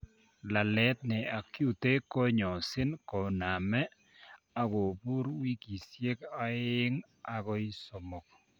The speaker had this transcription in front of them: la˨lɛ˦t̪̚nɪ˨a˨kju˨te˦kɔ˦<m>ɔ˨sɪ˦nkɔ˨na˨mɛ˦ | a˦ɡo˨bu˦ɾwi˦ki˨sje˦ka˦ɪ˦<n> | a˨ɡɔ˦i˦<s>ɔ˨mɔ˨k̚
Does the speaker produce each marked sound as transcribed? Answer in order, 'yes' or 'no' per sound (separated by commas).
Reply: no, no, yes